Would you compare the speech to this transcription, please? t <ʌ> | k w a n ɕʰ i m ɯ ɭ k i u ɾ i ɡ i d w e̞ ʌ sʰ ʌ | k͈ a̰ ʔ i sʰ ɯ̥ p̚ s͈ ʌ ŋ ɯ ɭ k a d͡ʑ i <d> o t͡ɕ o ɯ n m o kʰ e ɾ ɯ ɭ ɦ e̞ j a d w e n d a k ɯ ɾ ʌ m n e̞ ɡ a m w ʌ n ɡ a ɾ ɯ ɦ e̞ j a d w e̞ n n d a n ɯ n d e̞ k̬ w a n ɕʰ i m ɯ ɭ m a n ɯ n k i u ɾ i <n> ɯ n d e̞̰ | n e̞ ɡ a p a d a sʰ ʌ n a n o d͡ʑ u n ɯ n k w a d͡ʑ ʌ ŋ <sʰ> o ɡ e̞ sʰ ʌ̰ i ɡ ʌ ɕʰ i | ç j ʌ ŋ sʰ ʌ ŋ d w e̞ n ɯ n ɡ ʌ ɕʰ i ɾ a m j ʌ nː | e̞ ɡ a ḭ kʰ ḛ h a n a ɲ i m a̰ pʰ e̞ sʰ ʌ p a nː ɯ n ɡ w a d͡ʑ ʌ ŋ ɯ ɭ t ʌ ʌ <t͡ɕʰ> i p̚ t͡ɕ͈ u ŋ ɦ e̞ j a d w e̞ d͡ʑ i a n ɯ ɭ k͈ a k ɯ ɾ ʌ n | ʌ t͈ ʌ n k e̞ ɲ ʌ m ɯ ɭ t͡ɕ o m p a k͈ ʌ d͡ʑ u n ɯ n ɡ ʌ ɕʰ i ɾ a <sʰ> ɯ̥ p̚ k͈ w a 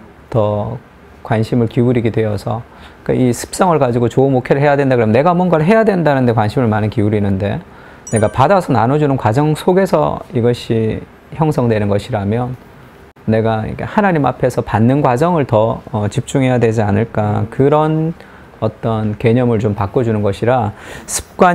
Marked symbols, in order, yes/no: yes, no, yes, yes, no, yes

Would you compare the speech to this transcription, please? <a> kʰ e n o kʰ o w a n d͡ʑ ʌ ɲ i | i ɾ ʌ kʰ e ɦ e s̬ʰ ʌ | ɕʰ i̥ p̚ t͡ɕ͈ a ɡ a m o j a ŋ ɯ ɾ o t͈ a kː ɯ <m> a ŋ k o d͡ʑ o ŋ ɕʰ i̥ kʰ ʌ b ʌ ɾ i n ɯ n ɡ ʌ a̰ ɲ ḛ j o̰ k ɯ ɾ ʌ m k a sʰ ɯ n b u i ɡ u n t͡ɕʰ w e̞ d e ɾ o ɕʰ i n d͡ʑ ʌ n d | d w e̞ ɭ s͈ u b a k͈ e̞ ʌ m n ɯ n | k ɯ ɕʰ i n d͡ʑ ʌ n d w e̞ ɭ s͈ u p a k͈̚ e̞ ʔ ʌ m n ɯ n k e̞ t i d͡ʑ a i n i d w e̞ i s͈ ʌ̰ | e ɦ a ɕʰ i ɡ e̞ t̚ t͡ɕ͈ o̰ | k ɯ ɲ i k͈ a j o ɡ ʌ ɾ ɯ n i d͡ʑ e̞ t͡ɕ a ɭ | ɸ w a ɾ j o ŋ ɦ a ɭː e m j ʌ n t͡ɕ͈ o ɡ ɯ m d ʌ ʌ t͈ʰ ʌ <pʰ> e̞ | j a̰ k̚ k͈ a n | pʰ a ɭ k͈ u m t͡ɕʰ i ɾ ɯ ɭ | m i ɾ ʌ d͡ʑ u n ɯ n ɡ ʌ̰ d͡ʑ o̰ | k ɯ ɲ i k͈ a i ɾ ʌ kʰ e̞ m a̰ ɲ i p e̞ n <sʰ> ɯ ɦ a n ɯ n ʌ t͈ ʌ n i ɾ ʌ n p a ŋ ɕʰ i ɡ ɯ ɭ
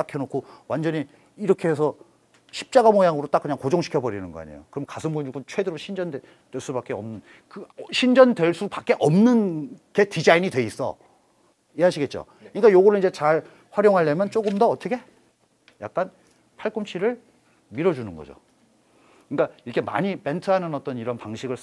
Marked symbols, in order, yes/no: yes, no, no, no

